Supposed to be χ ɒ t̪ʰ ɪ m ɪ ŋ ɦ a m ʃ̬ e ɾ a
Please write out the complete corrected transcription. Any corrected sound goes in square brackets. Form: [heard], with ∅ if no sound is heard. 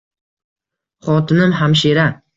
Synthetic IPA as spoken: χ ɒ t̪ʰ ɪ [n] ɪ [m] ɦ a m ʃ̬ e ɾ a